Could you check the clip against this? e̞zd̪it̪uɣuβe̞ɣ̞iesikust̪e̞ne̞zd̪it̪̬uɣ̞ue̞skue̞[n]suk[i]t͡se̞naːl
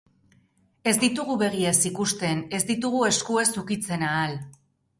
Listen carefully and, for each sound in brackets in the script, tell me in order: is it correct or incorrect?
incorrect: none, correct

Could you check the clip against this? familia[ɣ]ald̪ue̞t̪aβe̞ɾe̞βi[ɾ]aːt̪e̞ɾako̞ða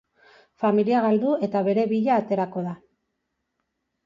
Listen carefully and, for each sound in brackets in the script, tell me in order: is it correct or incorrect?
correct, incorrect: ʎ

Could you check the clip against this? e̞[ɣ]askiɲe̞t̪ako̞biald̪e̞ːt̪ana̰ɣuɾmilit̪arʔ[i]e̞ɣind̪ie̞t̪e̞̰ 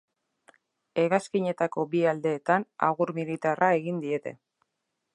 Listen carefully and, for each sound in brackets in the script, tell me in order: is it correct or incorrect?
correct, incorrect: a

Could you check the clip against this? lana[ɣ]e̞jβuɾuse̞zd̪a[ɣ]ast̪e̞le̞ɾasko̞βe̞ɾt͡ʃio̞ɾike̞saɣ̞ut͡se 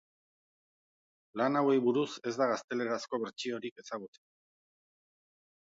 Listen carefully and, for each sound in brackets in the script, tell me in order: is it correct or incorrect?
incorrect: w, correct

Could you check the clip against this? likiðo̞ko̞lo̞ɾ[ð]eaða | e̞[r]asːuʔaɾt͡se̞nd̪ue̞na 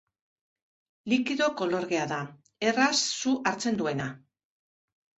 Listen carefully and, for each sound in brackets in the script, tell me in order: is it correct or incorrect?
incorrect: ɣ, correct

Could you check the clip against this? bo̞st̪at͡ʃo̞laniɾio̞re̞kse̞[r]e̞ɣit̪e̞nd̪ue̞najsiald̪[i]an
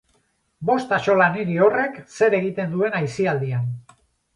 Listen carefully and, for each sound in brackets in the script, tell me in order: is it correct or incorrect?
incorrect: ɾ, correct

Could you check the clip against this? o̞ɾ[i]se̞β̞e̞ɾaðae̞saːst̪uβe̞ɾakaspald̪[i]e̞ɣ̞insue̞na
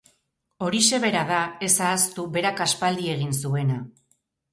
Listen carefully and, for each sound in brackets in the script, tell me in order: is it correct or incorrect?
correct, correct

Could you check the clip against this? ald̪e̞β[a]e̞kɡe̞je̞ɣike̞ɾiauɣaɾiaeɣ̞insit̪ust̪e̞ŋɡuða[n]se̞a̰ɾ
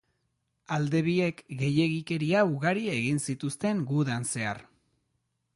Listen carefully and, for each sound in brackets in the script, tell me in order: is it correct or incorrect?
incorrect: i, correct

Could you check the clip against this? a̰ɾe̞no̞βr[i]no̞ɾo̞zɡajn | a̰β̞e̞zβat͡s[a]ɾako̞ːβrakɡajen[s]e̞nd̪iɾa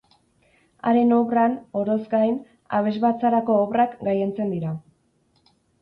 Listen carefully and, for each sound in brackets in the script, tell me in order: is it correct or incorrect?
incorrect: a, correct, incorrect: t͡s

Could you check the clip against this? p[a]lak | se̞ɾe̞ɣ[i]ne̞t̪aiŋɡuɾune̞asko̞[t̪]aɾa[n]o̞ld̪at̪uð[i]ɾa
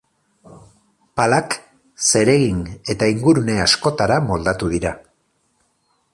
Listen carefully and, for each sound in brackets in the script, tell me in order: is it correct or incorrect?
correct, correct, correct, incorrect: m, correct

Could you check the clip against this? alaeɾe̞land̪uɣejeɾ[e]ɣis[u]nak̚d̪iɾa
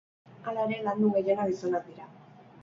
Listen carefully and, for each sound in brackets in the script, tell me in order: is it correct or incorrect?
incorrect: a, incorrect: o

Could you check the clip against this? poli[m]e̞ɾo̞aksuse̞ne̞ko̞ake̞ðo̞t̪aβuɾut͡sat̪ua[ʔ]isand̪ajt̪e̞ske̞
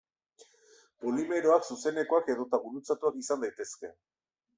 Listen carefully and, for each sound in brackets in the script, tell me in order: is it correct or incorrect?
correct, incorrect: k

